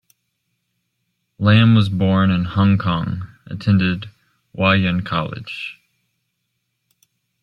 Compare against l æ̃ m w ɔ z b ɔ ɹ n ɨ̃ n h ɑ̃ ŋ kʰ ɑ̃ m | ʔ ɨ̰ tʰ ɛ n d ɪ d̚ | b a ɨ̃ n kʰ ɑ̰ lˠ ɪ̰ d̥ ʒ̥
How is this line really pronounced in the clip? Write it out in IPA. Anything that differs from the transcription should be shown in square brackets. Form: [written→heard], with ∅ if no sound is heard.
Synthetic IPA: l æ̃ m w [ɔ→ʌ] z b ɔ ɹ n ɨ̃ n h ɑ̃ ŋ kʰ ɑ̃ [m→ŋ] | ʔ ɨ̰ tʰ [ɛ→ɛ̃] n d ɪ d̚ | [b→w] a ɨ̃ n kʰ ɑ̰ lˠ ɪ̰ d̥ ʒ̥